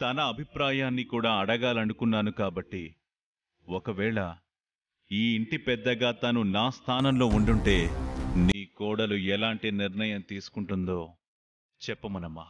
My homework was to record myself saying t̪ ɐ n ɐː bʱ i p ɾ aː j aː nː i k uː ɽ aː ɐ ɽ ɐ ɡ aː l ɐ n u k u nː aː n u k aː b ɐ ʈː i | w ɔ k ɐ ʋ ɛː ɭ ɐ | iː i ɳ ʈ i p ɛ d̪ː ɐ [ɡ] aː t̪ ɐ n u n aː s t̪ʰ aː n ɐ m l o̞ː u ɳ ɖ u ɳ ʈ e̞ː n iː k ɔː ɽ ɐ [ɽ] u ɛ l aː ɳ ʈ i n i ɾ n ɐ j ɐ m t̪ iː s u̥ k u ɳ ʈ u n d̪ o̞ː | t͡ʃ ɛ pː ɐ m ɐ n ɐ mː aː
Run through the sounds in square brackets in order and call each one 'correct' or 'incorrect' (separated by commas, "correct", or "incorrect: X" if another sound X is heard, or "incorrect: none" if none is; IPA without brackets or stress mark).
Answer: correct, incorrect: l